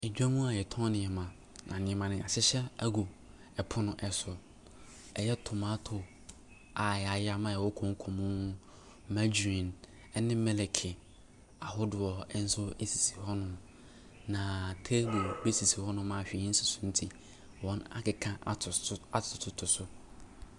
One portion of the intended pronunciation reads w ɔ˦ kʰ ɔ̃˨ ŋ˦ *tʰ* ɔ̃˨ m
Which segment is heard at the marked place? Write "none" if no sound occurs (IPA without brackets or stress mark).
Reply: kʰ